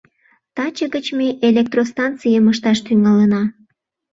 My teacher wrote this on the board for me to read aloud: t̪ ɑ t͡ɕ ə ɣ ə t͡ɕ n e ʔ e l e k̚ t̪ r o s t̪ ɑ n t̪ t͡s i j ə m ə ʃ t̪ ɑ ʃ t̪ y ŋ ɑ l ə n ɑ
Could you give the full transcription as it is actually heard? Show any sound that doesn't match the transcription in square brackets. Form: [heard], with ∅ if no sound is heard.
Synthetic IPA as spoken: t̪ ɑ t͡ɕ ə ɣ ə t͡ɕ [m] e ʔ e l e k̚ t̪ r o s t̪ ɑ n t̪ t͡s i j ə m ə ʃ t̪ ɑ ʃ t̪ y ŋ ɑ l ə n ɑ